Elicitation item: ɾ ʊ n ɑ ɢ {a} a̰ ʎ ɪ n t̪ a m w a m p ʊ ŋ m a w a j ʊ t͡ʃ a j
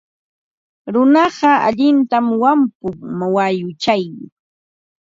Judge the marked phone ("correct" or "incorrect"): incorrect